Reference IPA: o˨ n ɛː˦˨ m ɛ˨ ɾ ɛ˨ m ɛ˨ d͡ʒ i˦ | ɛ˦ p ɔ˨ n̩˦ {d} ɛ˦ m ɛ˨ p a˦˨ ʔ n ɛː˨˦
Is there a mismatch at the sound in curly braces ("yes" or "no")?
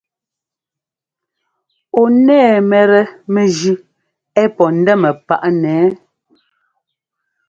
no